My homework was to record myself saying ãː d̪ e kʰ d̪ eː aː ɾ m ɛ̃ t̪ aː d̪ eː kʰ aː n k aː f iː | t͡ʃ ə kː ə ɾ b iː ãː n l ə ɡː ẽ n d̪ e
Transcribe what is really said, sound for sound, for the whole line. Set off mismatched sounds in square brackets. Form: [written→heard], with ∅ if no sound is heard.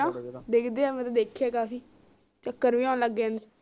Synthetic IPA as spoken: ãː d̪ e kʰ d̪ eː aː [ɾ→∅] m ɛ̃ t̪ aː d̪ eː kʰ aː [n→∅] k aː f iː | t͡ʃ ə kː ə ɾ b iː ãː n l ə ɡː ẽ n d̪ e